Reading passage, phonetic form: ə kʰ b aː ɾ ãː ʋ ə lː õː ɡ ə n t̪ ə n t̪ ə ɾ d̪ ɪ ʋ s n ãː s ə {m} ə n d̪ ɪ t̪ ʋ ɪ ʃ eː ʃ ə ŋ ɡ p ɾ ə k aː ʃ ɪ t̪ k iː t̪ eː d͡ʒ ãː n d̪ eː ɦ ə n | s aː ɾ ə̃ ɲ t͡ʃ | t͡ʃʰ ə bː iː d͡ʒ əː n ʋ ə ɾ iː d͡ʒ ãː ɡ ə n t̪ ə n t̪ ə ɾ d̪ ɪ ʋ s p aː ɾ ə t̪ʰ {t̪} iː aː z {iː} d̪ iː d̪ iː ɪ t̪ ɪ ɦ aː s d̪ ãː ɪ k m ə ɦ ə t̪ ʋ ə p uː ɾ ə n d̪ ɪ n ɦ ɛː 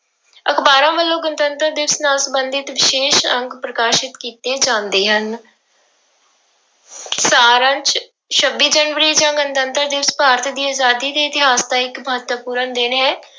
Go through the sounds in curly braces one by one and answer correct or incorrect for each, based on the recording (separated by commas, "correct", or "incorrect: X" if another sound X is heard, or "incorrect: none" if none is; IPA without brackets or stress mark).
incorrect: b, incorrect: d̪, incorrect: aː